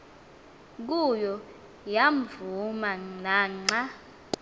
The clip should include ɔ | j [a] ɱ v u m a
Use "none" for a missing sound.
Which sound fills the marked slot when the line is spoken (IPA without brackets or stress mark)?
a